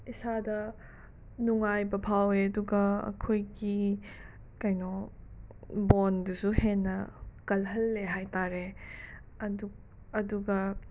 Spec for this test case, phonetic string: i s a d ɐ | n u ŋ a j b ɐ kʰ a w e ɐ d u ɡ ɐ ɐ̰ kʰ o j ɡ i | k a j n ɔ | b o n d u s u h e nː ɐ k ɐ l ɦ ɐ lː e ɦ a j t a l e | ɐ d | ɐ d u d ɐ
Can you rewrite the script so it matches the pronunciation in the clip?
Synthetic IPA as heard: i s a d ɐ | n u ŋ a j b ɐ pʰ a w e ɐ d u ɡ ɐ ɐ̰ kʰ o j ɡ i | k a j n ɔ | b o n d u s u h e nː ɐ k ɐ l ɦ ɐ lː e ɦ a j t a ɾ e | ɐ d | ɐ d u ɡ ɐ